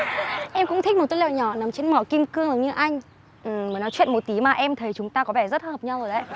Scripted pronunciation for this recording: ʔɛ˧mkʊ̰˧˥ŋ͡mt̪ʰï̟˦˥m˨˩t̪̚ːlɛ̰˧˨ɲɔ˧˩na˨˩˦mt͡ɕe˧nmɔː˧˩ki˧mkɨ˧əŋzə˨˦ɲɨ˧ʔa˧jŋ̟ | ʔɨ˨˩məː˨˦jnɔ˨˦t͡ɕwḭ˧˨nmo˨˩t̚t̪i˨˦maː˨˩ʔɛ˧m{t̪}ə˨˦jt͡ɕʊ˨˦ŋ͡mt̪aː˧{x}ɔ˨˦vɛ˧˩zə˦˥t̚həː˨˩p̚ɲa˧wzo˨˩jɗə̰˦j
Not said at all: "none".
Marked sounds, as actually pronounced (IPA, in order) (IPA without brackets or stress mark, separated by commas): t̪ʰ, k